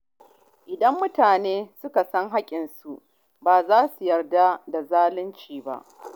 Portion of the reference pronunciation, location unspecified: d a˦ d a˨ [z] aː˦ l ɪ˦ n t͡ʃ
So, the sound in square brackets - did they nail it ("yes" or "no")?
yes